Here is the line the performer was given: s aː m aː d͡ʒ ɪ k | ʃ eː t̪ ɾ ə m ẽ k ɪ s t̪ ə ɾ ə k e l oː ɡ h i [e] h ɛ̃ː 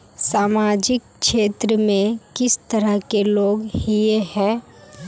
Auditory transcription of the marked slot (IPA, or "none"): e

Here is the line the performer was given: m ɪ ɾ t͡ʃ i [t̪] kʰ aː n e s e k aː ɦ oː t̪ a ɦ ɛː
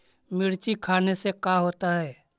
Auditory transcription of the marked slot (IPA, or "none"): none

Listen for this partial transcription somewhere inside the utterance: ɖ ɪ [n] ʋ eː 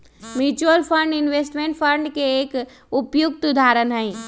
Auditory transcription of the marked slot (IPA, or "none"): n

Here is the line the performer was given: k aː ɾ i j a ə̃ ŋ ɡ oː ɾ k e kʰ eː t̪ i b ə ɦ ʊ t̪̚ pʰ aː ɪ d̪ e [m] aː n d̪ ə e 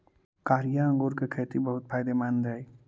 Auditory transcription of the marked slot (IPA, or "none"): m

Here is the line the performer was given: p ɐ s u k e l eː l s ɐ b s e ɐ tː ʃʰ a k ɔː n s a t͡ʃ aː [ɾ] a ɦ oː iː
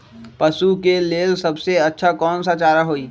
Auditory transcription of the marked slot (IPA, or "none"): ɾ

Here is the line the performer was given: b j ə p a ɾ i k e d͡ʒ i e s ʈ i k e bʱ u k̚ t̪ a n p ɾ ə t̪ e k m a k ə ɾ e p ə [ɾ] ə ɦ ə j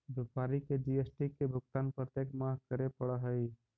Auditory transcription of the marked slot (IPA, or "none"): ɽ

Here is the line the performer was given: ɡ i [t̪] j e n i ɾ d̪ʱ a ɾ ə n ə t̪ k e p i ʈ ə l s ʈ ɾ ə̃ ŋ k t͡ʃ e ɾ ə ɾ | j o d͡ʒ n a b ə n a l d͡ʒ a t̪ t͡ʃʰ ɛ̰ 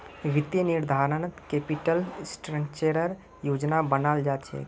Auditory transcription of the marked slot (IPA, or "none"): t̪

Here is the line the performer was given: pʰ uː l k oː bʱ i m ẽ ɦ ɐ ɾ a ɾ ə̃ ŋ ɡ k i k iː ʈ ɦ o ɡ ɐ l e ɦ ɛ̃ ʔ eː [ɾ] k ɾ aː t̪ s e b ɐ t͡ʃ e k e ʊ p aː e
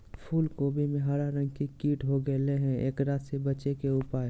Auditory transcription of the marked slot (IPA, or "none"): none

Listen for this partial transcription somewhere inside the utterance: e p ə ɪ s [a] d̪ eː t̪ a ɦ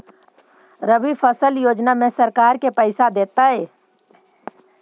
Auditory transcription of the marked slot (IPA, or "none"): a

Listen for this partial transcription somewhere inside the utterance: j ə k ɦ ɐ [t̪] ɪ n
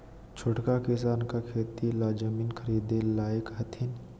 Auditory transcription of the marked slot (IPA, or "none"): t̪ʰ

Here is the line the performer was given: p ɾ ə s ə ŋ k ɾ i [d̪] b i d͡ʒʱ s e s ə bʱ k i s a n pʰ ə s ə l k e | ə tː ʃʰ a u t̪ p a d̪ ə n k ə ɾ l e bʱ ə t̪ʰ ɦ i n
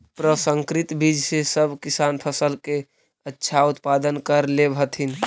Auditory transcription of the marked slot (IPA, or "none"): t̪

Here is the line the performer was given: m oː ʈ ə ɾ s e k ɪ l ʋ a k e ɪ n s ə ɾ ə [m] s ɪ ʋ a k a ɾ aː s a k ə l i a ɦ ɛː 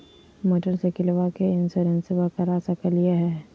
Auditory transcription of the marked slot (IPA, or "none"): n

